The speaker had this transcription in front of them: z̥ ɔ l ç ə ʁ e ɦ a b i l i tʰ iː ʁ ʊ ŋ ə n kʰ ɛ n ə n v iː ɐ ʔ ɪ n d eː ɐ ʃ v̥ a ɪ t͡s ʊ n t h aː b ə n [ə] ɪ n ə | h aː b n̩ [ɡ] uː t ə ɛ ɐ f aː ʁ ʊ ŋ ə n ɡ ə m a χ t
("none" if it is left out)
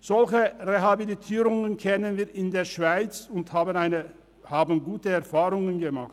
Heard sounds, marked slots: a, ɡ

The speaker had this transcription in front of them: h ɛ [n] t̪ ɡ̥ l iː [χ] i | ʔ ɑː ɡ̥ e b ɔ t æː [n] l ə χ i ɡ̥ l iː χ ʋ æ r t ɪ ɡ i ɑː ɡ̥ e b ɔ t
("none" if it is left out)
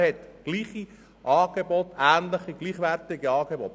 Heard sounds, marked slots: none, χ, n

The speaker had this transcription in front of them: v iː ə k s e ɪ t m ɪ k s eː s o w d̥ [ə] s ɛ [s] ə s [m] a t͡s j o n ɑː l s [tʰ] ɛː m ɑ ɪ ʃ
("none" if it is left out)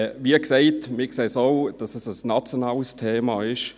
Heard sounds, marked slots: ɑ, s, n, tʰ

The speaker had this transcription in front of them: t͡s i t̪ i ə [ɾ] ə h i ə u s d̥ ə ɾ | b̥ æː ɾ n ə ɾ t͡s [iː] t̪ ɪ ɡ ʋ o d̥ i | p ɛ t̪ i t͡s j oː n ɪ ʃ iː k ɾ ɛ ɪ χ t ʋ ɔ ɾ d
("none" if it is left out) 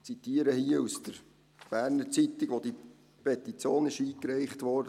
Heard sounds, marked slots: ɾ, i

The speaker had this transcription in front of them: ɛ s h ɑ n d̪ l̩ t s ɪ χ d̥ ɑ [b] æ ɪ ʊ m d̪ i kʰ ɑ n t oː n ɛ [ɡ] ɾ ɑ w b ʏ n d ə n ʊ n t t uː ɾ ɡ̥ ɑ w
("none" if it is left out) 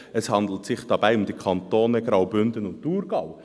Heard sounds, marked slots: b, ɡ

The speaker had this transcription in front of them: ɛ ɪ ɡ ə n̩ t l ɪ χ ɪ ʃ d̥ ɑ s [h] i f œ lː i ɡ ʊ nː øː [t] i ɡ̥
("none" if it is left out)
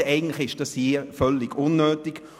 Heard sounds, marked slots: h, t

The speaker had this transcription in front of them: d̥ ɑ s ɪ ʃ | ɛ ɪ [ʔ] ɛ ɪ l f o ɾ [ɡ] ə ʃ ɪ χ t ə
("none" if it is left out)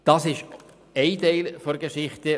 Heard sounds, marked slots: t, ɡ

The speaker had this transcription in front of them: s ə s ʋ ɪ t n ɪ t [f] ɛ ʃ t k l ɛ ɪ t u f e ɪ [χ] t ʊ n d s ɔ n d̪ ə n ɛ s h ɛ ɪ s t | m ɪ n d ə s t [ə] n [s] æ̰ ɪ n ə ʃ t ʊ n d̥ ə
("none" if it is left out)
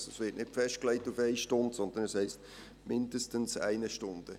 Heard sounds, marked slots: f, ʃ, ə, s

